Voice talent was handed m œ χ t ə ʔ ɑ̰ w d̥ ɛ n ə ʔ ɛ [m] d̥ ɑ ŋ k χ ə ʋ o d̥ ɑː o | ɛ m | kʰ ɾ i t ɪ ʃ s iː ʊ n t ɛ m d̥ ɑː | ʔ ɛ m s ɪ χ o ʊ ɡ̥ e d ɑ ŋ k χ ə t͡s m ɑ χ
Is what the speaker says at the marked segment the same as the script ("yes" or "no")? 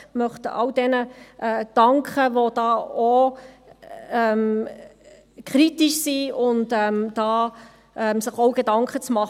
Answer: no